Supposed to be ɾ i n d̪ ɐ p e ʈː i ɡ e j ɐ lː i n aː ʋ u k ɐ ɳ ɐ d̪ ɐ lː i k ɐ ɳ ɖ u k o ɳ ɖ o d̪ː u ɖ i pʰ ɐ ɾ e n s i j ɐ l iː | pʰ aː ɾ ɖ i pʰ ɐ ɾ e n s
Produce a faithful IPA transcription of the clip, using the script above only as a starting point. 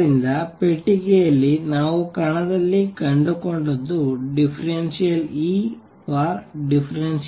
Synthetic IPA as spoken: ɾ i n d̪ ɐ p e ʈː i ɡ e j ɐ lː i n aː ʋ u k ɐ ɳ ɐ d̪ ɐ lː i k ɐ ɳ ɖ u k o ɳ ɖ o d̪ː u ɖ i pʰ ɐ ɾ e n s i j ɐ l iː | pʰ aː ɾ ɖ i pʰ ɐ ɾ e n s